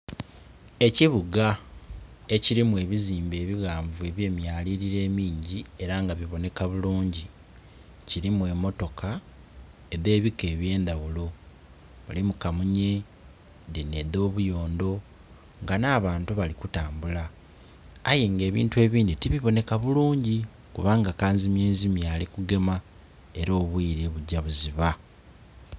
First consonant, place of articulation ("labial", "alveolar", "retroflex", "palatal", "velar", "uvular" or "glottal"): palatal